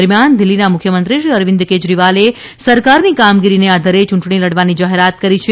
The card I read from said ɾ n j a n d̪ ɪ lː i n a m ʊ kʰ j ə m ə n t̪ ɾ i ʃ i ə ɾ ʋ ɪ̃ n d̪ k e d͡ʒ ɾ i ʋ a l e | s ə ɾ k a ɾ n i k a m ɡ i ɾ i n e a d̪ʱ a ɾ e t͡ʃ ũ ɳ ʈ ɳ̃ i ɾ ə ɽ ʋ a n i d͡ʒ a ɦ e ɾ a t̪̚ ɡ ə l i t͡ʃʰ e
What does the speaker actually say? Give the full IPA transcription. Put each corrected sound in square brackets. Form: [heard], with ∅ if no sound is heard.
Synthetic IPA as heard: ɾ [m] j a n d̪ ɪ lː i n a m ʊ kʰ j ə m ə n t̪ ɾ i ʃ i ə ɾ ʋ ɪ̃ n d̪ k e d͡ʒ ɾ i ʋ a l e | s ə ɾ k a ɾ n i k a m ɡ i ɾ i n e a d̪ʱ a ɾ e t͡ʃ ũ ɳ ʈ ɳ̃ i [l] ə ɽ ʋ a n i d͡ʒ a ɦ e ɾ a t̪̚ [k] ə [ɾ] i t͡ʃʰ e

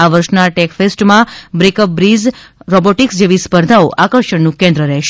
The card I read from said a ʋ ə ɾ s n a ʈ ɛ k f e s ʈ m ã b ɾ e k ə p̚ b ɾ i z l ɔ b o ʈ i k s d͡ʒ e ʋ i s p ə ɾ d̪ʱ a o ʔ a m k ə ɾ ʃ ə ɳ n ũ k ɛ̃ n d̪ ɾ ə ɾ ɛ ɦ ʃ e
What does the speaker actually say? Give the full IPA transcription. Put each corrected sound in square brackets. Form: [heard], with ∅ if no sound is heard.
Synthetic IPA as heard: a ʋ ə ɾ [ʃ] n a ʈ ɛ k f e s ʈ m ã b ɾ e k ə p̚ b ɾ i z [ɾ] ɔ b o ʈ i k s d͡ʒ e ʋ i s p ə ɾ d̪ʱ a o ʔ a [∅] k ə ɾ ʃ ə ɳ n ũ k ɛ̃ n d̪ ɾ ə ɾ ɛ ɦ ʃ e

